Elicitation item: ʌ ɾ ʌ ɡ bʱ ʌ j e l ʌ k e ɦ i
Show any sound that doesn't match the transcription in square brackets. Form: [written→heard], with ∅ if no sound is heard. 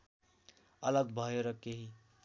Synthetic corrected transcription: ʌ [ɾ→l] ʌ ɡ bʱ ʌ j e [l→ɾ] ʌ k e ɦ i